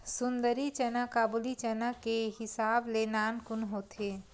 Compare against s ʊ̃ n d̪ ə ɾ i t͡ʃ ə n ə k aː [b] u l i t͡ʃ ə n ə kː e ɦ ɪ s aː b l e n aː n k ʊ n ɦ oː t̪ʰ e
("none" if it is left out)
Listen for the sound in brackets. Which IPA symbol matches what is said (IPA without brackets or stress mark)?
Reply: b